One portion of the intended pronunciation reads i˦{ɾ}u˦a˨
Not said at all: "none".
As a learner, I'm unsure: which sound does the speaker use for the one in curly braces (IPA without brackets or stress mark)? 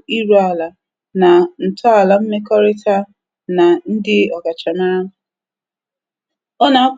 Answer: ɾ